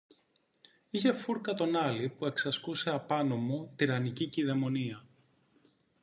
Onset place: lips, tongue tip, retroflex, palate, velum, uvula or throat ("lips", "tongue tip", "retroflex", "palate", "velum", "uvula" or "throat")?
palate